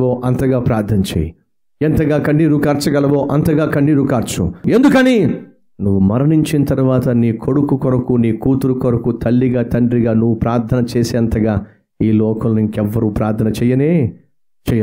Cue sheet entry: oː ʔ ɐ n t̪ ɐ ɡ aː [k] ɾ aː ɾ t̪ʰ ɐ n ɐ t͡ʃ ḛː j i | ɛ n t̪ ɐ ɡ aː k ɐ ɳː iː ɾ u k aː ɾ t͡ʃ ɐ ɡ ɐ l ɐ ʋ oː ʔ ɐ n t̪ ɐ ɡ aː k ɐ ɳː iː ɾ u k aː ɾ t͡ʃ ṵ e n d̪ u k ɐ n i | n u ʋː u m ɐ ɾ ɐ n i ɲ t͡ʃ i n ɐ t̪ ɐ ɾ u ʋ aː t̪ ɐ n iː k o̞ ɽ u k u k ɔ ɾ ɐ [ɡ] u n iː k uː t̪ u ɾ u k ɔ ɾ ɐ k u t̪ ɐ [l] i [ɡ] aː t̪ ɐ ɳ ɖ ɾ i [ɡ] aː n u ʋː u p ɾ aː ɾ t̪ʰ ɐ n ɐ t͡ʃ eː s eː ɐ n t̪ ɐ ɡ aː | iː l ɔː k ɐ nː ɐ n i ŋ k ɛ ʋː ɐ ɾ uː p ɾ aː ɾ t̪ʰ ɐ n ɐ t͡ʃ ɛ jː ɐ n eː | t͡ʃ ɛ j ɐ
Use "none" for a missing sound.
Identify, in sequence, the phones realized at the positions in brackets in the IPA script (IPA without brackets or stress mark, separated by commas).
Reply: p, k, lː, ɡ, ɡ